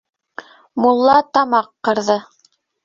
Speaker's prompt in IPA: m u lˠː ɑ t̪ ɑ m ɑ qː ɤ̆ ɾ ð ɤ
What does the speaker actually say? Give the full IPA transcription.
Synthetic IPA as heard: m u lˠː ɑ t̪ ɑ m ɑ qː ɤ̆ ɾ ð ɤ